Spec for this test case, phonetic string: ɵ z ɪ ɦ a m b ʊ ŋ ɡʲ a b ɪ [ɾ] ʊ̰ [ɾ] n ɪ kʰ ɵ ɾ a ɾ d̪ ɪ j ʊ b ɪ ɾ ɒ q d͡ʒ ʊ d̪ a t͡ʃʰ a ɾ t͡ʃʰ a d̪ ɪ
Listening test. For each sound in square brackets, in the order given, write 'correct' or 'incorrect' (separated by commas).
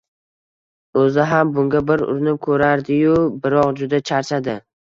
correct, correct